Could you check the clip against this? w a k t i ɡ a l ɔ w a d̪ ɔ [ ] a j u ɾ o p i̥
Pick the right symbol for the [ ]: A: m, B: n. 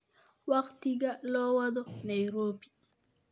B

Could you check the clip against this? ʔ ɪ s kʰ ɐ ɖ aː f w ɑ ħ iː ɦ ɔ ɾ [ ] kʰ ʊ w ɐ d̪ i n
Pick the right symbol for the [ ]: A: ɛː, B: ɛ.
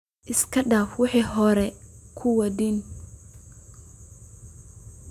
B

